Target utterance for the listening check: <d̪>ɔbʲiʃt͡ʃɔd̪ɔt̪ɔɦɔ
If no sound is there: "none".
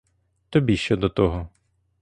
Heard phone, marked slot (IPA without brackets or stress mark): t̪